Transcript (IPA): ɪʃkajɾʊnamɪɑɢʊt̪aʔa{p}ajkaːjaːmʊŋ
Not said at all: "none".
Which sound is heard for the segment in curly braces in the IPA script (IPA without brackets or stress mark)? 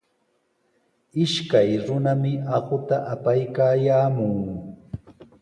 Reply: p